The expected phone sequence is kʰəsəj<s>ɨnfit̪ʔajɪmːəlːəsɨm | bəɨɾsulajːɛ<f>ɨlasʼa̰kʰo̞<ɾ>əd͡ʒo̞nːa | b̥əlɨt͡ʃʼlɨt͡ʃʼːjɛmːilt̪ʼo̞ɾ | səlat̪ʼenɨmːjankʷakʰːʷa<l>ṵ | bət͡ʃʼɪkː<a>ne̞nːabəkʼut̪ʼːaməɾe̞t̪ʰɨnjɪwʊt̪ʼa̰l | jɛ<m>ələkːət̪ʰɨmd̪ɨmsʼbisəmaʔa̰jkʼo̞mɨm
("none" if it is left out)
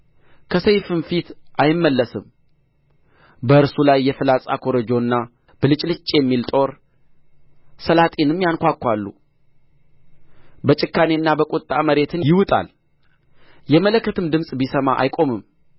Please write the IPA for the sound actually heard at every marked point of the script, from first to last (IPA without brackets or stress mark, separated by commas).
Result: f, f, ɾ, lː, a, m